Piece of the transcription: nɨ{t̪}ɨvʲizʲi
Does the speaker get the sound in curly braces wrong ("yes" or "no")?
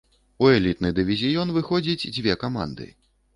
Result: yes